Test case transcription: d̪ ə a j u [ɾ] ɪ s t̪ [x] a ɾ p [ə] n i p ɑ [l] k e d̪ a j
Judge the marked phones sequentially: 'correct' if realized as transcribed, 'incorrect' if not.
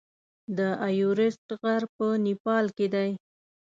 correct, incorrect, correct, correct

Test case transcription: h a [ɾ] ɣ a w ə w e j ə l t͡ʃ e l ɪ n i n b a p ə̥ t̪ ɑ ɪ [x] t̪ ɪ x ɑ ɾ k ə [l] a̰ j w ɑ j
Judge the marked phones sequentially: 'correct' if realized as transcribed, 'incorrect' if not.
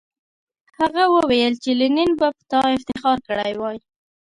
incorrect, incorrect, incorrect

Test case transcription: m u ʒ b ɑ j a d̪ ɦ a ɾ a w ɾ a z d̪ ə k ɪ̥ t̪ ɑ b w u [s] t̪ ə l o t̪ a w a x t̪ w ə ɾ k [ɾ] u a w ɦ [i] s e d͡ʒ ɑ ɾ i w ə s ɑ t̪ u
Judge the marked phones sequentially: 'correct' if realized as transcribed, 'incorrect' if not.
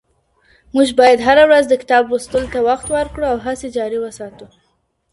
correct, incorrect, incorrect

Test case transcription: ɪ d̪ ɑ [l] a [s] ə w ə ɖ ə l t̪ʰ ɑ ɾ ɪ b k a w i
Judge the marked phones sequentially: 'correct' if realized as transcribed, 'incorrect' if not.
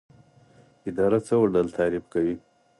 incorrect, incorrect

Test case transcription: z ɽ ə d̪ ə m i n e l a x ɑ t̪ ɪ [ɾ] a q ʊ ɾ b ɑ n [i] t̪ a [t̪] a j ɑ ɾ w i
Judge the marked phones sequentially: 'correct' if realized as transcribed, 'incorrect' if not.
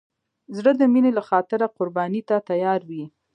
correct, correct, correct

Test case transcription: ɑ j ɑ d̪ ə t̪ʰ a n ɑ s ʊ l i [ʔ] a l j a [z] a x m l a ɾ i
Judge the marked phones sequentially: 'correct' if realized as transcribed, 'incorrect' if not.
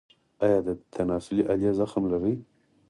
correct, correct

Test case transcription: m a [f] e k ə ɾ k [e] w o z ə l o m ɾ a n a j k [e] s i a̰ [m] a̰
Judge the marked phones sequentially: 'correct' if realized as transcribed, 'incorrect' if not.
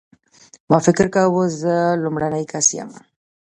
correct, incorrect, incorrect, correct

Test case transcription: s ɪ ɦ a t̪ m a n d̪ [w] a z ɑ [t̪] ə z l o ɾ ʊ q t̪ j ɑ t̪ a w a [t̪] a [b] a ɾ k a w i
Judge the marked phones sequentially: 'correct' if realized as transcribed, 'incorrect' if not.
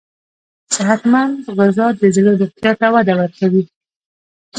incorrect, incorrect, incorrect, incorrect

